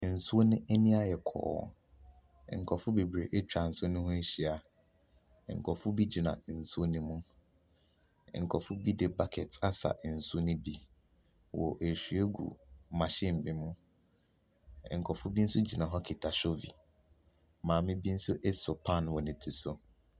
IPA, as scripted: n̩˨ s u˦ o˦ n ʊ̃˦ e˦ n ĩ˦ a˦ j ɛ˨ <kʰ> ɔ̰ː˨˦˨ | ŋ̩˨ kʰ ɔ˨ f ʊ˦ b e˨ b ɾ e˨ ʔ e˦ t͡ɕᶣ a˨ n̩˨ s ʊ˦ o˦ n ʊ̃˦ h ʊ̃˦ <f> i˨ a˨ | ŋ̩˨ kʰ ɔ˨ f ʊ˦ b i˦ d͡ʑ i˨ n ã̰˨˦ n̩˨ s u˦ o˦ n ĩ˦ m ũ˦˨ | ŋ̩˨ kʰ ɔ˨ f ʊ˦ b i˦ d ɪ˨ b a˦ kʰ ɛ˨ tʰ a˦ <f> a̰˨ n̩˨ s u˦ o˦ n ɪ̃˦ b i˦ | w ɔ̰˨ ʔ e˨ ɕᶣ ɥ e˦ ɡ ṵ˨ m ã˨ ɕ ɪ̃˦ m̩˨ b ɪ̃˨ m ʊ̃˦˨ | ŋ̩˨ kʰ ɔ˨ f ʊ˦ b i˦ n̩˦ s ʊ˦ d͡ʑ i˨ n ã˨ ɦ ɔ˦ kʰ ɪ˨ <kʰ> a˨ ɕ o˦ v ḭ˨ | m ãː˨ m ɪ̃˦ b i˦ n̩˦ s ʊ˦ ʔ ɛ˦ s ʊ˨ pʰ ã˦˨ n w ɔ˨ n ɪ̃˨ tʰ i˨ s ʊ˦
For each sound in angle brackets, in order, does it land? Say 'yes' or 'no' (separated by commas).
yes, no, no, no